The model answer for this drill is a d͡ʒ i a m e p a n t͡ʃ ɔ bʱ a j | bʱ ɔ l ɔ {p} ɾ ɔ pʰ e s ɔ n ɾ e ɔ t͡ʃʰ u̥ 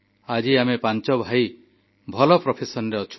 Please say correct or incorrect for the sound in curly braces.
correct